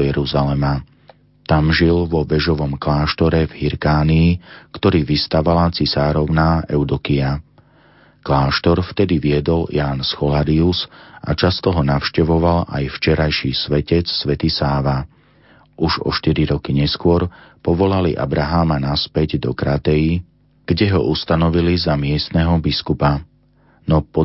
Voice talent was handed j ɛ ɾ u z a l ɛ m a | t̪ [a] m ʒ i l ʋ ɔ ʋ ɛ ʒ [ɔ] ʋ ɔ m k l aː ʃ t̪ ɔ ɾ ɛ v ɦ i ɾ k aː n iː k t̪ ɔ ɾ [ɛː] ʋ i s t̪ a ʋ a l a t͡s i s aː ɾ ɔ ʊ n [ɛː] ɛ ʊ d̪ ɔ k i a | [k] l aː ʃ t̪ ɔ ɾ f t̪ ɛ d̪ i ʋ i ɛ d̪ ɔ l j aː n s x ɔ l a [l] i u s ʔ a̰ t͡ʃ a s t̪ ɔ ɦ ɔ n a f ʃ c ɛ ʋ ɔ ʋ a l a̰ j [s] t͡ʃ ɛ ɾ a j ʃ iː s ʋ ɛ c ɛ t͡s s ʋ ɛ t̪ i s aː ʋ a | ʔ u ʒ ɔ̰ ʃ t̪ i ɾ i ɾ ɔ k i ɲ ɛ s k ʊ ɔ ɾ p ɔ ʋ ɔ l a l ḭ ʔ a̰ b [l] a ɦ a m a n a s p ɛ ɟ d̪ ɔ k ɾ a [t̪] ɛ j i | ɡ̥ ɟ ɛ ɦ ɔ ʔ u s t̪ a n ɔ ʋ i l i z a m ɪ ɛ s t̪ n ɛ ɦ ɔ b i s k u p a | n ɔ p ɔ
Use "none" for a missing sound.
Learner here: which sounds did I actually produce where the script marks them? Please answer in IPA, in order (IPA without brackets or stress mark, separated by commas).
a, ɔ, iː, aː, k, ɾ, f, ɾ, t̪